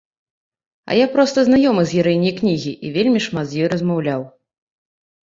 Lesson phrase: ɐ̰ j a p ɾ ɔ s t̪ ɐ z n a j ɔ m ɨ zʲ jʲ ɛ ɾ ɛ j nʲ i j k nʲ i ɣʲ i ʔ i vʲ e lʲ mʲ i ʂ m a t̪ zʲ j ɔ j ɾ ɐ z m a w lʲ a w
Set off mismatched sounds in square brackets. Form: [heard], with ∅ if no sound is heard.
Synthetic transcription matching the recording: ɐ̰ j a p ɾ ɔ s t̪ ɐ z n a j ɔ m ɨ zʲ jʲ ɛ ɾ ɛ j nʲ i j k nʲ i ɣʲ i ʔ i vʲ e lʲ mʲ i ʂ m a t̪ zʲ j ɔ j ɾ ɐ z m a w lʲ a w